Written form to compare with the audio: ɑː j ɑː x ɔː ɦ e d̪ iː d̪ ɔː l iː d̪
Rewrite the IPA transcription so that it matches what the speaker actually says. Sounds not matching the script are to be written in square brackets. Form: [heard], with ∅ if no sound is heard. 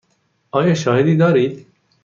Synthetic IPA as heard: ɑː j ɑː [ʃ] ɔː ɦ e d̪ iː d̪ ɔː [ɾ] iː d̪